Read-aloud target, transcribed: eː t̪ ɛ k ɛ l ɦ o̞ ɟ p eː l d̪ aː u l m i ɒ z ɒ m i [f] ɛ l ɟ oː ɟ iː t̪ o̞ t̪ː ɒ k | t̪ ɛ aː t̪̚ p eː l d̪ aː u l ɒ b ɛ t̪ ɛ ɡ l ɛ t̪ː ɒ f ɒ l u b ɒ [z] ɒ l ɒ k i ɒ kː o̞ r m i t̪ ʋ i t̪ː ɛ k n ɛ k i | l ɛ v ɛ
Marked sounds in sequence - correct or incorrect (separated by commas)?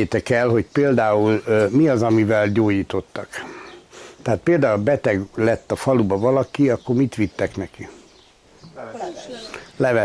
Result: incorrect, incorrect